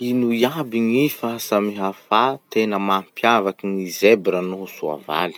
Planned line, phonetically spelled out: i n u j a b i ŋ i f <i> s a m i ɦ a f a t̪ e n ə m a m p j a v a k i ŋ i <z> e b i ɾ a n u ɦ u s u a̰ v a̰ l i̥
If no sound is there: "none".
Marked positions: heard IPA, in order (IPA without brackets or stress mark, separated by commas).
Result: a, z